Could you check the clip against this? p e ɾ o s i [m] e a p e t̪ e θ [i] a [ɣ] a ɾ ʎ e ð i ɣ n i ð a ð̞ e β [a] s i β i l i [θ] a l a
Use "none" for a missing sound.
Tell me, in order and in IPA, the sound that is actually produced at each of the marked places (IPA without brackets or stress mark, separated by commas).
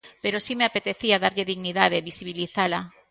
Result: m, i, ð, i, θ